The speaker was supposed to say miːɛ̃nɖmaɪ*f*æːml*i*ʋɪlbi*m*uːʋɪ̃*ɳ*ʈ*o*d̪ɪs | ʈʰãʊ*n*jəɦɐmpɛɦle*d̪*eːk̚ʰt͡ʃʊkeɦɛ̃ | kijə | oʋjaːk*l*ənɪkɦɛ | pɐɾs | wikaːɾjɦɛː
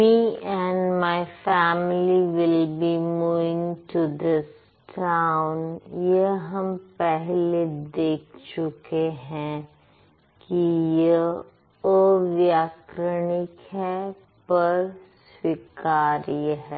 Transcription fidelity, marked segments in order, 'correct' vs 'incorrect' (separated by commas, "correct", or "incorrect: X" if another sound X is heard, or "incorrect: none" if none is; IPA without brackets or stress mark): correct, correct, correct, incorrect: ŋ, incorrect: u, correct, correct, incorrect: ɾ